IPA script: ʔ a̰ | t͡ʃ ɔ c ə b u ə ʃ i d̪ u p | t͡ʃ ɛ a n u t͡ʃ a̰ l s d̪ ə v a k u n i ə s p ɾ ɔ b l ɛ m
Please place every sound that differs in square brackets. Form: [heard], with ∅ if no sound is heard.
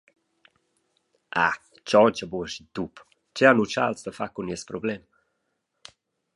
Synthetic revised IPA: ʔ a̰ | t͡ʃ ɔ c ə b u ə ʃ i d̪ u p | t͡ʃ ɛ a n u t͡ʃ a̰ l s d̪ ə [f] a k u n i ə s p ɾ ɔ b l ɛ m

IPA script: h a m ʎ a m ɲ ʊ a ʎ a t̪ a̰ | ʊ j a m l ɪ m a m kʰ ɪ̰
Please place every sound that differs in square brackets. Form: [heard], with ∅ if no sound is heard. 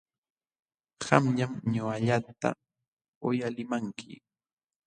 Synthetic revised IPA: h a m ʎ a m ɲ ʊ a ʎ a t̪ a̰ | ʊ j a [∅] l ɪ m a [ŋ] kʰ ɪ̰

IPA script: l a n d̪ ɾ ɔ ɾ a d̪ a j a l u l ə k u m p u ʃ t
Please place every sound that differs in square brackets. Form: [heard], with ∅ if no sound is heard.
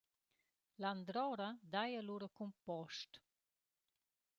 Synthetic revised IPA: l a n d̪ ɾ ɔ ɾ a d̪ a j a l u [ɾ] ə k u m p [ɔ] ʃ t

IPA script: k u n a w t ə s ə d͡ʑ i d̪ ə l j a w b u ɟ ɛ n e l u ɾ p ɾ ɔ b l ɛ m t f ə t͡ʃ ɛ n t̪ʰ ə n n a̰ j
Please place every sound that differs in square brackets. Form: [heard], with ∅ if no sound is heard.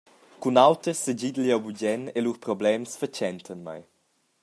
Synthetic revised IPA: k u n a w t ə s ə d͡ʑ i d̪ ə l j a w b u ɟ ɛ n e l u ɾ p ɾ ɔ b l ɛ m [s] f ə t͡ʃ ɛ n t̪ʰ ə n [m] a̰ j

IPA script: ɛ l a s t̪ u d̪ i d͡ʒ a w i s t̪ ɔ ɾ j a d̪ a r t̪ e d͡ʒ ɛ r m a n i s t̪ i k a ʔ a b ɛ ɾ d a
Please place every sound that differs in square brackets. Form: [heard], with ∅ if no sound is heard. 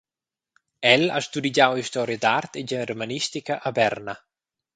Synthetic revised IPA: ɛ l a s t̪ u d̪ i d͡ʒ a w i s t̪ ɔ ɾ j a d̪ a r t̪ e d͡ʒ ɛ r m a n i s t̪ i k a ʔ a b ɛ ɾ [n] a

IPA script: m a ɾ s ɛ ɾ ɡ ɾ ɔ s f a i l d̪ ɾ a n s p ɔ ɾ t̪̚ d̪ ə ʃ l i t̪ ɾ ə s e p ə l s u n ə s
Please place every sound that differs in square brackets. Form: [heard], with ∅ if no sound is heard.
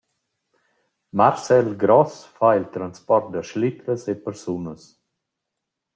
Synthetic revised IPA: m a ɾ s ɛ [l] ɡ ɾ ɔ s f a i l [t̪] ɾ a n s p ɔ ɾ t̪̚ d̪ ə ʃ l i t̪ ɾ ə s e p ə [ɾ] s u n ə s

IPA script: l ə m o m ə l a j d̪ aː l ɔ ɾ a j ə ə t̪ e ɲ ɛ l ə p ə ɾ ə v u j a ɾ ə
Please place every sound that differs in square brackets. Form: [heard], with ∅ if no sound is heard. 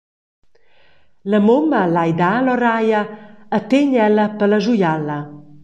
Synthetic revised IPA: l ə m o m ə l a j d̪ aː l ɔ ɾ a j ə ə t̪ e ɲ ɛ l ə p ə [l] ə [ʒ] u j a [l] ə

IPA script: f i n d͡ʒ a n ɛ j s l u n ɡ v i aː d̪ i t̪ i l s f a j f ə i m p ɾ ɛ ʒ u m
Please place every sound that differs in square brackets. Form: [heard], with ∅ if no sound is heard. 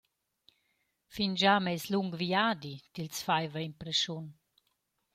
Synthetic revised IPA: f i n d͡ʒ a [m] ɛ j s l u [ŋ] ɡ v i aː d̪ i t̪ i l s f a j [v] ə i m p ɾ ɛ [ʃ] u [n]

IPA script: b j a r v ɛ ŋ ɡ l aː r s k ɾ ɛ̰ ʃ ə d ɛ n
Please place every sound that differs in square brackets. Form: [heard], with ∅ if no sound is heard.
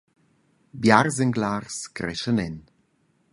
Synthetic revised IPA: b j a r [z] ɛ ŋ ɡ l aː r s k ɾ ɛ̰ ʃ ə [n] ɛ n

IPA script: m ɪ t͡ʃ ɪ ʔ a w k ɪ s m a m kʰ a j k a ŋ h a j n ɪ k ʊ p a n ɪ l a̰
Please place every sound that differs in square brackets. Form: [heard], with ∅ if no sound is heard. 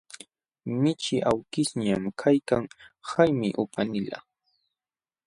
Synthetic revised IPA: m ɪ t͡ʃ ɪ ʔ a w k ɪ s [ɲ] a m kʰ a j k a ŋ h a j [m] ɪ [ʔ] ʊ p a n ɪ l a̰

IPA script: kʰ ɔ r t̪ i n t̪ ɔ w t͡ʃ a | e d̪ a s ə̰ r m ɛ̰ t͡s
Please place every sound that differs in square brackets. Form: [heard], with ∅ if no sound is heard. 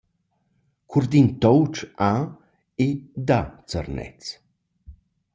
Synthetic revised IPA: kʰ [u] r [d̪] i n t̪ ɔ w t͡ʃ a | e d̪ a [t͡s] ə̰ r [n] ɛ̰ t͡s

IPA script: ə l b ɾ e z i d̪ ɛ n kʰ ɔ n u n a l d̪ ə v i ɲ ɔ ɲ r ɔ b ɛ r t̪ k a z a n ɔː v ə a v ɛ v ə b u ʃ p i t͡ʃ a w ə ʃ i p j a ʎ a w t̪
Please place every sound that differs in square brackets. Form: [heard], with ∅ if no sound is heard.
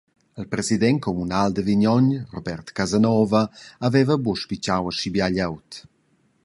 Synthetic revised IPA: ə l [p] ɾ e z i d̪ ɛ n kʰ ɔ [m] u n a l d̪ ə v i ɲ ɔ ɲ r ɔ b ɛ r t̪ k a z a n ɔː v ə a v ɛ v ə b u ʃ p i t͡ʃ a w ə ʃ i [b] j a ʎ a w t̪

